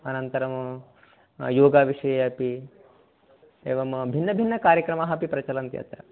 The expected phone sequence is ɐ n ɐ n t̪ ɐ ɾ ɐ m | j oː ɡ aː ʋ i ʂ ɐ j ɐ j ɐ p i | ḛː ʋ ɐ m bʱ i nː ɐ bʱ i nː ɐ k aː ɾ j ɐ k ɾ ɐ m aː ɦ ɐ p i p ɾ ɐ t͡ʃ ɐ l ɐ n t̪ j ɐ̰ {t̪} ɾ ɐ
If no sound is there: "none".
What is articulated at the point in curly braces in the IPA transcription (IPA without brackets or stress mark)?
t̪